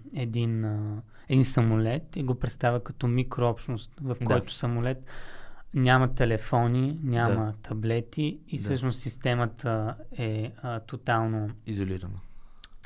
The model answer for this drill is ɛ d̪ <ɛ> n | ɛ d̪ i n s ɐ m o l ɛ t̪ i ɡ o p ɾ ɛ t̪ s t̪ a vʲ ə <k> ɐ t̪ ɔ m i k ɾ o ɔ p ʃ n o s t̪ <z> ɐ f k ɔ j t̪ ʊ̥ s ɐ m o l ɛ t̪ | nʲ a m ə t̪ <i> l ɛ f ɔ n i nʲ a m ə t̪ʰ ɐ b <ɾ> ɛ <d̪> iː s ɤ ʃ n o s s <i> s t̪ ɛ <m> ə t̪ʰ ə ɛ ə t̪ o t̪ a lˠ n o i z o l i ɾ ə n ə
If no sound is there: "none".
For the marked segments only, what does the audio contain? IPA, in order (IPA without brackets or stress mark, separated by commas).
i, k, v, ɛ, l, t̪, i, m